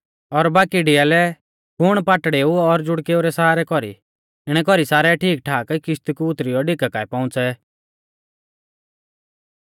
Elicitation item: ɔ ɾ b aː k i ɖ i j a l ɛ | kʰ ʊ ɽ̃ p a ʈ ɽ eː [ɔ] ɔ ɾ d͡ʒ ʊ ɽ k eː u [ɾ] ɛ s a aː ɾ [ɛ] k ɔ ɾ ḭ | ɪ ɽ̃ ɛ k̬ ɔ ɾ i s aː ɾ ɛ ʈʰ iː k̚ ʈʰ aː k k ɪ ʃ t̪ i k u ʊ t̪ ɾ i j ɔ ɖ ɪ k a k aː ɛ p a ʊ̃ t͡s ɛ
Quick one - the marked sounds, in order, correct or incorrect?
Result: incorrect: u, correct, correct

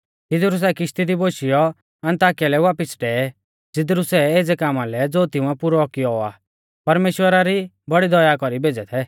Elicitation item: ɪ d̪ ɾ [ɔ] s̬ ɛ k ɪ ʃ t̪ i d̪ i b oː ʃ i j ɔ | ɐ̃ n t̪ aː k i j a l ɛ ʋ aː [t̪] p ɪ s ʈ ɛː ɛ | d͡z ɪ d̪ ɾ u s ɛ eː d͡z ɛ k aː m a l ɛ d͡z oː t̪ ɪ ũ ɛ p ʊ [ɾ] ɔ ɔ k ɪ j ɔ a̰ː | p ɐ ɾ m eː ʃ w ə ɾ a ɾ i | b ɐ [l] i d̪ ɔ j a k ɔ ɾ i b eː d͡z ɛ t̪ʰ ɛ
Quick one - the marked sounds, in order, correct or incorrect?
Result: incorrect: u, incorrect: none, correct, incorrect: ɽ

